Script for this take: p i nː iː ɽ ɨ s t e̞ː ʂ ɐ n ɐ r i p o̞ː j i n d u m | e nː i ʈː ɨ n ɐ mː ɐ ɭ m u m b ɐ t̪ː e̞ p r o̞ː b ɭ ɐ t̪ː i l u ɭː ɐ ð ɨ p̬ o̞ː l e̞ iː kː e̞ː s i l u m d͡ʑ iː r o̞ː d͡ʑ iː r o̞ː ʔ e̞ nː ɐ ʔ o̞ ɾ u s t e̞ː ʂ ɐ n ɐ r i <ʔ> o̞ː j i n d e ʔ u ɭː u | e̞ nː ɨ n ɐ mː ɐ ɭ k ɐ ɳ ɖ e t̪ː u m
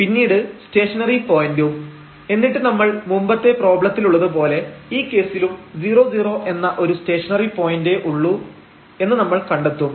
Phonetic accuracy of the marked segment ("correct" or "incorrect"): incorrect